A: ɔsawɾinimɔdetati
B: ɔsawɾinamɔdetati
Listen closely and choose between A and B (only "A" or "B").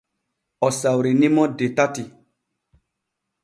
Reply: A